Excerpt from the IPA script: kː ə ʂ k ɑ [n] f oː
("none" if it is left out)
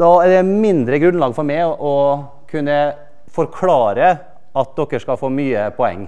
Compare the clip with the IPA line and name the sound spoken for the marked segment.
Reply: none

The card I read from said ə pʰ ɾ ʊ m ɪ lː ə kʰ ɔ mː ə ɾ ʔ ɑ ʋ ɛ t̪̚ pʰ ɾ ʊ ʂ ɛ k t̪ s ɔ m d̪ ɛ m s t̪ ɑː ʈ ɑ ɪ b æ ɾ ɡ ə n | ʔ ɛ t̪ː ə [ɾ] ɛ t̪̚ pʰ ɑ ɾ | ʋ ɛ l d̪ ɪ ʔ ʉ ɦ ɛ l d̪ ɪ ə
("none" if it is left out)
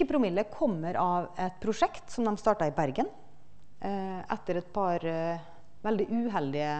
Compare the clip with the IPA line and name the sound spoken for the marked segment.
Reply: ɾ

